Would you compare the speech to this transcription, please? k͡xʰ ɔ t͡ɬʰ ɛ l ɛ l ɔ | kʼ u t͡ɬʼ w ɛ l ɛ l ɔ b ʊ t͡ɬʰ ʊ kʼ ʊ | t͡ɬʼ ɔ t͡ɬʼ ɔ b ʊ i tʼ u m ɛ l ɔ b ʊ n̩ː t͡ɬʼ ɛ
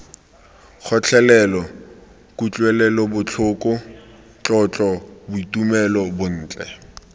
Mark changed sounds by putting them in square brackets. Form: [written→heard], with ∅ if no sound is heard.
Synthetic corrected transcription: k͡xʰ ɔ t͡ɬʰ ɛ l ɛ l ɔ | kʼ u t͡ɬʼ w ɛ l ɛ l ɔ b ʊ t͡ɬʰ ʊ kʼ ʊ | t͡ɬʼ ɔ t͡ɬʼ ɔ b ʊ i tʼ u m ɛ l ɔ b ʊ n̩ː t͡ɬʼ ɛ